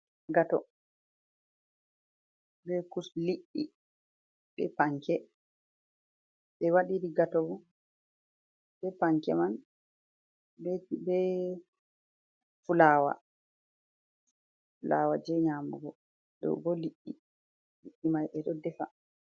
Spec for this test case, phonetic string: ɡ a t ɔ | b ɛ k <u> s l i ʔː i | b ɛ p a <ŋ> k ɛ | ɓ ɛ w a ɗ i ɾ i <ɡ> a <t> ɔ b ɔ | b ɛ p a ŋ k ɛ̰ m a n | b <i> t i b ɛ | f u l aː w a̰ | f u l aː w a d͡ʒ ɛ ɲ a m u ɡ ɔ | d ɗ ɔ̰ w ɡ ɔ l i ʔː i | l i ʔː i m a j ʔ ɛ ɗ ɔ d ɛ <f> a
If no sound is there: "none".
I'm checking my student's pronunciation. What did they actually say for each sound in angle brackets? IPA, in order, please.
u, ŋ, ɡ, t, ɛ, f

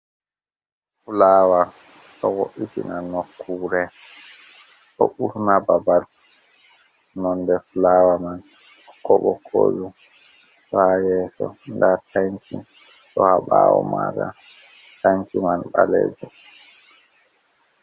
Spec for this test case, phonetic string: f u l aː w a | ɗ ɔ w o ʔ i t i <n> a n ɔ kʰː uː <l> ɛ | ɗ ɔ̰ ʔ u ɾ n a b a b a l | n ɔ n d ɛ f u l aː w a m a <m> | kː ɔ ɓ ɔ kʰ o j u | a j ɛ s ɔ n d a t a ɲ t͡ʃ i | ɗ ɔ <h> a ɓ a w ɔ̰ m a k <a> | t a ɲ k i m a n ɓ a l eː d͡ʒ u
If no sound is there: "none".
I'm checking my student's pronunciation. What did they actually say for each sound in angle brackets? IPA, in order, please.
n, ɾ, n, h, a

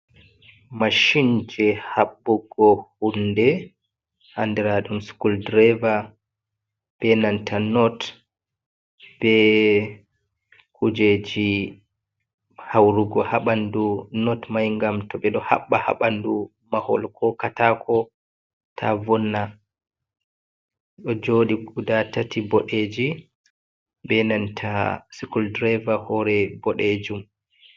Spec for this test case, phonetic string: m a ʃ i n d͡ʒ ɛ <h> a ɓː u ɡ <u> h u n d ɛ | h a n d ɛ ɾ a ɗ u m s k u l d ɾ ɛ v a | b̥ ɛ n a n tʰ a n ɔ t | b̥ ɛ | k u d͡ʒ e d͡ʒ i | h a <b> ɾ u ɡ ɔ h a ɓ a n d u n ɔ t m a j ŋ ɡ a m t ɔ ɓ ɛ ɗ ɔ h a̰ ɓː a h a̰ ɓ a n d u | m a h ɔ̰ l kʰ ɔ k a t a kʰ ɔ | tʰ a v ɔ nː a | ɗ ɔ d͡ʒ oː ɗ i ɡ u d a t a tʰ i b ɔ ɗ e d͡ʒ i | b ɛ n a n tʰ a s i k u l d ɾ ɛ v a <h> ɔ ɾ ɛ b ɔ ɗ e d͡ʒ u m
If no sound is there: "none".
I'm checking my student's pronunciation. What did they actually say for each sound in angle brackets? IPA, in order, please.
h, ɔ, w, h

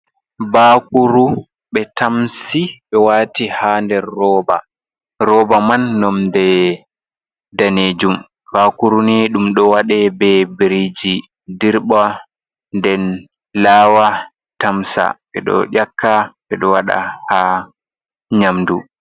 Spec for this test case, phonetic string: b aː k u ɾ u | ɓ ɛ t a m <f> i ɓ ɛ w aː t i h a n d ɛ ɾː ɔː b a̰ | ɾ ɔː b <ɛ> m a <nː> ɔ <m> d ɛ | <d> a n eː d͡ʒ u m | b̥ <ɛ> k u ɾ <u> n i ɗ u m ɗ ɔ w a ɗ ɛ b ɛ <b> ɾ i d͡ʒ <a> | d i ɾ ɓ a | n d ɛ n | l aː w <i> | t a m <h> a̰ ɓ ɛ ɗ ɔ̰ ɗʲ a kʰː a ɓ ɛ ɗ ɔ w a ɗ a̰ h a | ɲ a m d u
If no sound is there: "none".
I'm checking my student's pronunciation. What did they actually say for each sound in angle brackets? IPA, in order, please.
s, a, nː, m, d, a, u, b, i, a, s

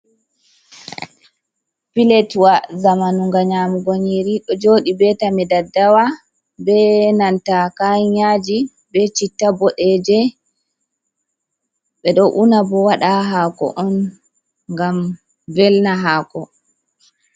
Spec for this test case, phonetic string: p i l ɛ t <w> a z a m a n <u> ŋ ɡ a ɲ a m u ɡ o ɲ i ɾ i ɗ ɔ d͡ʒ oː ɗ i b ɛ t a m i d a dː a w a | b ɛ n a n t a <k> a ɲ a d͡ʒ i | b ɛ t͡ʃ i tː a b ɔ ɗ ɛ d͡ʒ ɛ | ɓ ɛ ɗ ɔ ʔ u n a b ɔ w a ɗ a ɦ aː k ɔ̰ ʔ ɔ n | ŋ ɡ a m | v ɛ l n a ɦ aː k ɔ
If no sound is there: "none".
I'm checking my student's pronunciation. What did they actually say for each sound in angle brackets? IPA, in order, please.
w, u, k

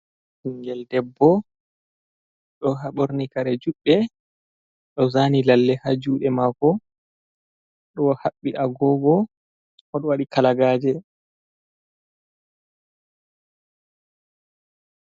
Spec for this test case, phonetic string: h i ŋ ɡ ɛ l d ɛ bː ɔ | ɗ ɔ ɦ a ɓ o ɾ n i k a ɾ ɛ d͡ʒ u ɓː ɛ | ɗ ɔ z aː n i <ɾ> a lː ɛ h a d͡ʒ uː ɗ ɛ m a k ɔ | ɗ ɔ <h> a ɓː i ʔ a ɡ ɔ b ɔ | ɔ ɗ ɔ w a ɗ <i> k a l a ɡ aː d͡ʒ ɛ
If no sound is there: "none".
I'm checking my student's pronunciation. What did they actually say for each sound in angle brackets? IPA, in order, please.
l, h, i

